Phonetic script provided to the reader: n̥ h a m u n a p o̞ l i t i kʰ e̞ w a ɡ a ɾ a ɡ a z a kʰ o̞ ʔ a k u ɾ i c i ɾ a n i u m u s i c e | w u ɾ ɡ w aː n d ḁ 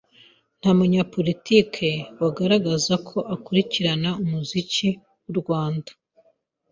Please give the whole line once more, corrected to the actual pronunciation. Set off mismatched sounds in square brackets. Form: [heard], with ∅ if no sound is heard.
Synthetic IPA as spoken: n̥ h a m u [ɲ] a p o̞ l i t i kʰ e̞ w a ɡ a ɾ a ɡ a z a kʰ o̞ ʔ a k u ɾ i c i ɾ a n [a] u m u [z] i c [i] | w u ɾ ɡ w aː n d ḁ